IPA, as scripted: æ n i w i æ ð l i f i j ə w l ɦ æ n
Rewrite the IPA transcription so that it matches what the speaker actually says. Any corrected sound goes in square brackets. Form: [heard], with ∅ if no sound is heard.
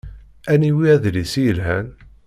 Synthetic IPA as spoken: æ n i w i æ ð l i [s] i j ə [∅] l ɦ æ n